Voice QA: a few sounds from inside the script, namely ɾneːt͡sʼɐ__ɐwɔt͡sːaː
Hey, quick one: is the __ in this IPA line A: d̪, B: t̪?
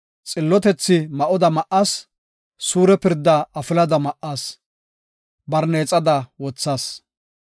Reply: A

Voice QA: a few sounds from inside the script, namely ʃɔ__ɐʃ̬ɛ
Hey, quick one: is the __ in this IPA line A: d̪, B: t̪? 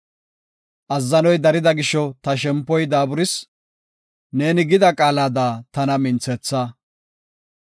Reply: B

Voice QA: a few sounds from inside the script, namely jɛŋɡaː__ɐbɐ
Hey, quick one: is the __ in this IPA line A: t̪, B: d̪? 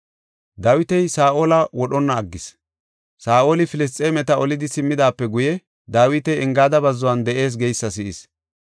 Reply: B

